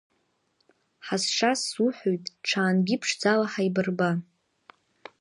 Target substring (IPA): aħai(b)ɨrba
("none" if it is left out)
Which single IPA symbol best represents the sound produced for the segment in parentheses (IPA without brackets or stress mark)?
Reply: b